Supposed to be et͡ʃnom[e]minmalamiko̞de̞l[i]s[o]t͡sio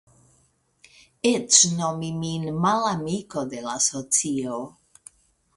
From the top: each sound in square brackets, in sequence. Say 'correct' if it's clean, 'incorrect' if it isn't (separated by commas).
incorrect, incorrect, correct